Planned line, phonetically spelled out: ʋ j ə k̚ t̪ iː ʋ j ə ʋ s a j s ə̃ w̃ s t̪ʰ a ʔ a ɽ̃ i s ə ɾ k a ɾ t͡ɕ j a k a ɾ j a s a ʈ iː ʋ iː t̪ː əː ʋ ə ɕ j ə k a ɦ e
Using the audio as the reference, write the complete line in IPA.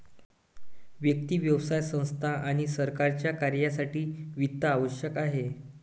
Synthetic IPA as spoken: ʋ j ə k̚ t̪ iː ʋ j ə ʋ s a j s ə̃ w̃ s t̪ʰ a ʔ a ɽ̃ i s ə ɾ k a ɾ t͡ɕ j a k a ɾ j a s a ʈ iː ʋ i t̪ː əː ʋ ə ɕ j ə k a ɦ e